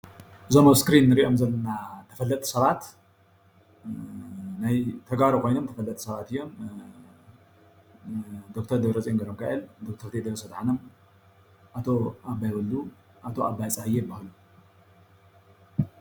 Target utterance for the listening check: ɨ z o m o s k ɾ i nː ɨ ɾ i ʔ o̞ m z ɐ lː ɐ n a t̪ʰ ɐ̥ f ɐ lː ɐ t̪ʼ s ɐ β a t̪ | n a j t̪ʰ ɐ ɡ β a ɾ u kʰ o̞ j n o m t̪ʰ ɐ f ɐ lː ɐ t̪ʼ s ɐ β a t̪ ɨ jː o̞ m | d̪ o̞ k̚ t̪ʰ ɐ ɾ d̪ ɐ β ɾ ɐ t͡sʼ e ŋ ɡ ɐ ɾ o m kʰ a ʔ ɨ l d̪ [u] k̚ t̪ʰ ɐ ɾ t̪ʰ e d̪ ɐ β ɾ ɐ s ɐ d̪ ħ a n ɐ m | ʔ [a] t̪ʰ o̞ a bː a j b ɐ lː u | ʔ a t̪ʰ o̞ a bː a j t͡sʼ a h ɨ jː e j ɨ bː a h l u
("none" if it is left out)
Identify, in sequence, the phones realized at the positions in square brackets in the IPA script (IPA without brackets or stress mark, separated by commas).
o, a